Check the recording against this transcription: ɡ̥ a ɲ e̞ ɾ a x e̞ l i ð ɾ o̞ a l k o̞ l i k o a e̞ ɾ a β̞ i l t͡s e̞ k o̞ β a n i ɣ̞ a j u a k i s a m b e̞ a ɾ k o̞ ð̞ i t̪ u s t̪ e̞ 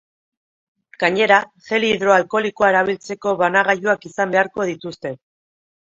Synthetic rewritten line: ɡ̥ a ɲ e̞ ɾ a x e̞ l i ð ɾ o̞ a l k o̞ l i k o a e̞ ɾ a β̞ i l t͡s e̞ k o̞ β a n a ɣ̞ a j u a k i s a m b e̞ a ɾ k o̞ ð̞ i t̪ u s t̪ e̞